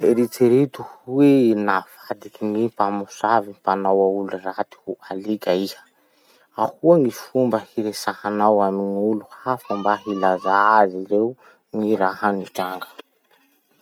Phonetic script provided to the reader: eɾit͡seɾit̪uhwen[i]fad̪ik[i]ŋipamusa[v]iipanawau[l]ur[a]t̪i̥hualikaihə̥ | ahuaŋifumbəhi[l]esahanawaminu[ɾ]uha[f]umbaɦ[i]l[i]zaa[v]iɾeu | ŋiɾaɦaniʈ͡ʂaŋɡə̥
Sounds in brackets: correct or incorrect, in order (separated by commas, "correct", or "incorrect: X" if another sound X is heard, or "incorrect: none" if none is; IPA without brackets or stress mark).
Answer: incorrect: a, correct, correct, correct, correct, incorrect: ɾ, incorrect: l, correct, correct, incorrect: a, incorrect: z